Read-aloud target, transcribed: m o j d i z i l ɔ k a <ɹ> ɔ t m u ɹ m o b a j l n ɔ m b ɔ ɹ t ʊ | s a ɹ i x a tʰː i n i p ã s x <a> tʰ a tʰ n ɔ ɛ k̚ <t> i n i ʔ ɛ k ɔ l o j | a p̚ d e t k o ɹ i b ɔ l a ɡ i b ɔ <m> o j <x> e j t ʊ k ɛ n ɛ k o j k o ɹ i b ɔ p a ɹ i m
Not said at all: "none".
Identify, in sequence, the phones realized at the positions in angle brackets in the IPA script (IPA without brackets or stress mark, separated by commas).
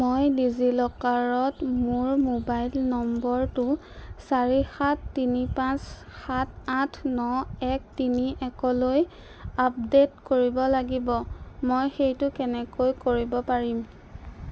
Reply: ɹ, a, t, m, x